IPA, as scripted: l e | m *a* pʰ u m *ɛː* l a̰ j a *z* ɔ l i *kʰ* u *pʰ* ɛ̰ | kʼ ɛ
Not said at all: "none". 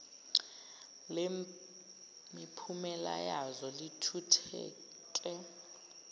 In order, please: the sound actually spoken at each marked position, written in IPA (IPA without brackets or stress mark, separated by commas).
i, ɛ, z, tʰ, tʰ